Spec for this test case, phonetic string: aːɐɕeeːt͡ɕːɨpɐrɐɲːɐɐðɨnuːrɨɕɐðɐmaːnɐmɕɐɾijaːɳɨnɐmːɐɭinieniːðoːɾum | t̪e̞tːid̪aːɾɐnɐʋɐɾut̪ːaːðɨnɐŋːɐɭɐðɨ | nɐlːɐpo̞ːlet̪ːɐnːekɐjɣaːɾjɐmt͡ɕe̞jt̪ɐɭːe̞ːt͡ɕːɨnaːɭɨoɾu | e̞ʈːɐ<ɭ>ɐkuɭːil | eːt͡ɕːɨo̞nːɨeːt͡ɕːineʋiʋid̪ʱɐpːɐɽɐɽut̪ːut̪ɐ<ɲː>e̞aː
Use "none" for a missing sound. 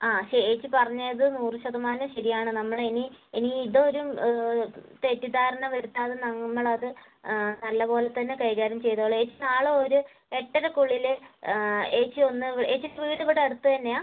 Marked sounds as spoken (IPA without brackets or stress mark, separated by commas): ɾ, nː